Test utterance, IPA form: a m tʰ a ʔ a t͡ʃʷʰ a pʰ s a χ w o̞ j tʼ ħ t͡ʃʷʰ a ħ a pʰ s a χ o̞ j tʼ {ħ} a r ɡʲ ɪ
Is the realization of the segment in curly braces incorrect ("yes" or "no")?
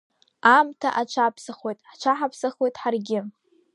no